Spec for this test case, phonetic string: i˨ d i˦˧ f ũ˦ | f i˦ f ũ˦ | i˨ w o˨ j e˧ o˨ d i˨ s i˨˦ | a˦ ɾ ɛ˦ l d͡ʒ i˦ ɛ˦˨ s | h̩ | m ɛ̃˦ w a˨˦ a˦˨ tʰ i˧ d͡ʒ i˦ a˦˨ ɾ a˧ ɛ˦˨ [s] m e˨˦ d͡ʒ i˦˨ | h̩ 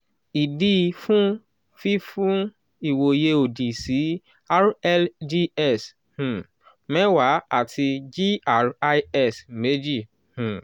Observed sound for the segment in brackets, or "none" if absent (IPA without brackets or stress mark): s